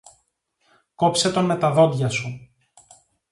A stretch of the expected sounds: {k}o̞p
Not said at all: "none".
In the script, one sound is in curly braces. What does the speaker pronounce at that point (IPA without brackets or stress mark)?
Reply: k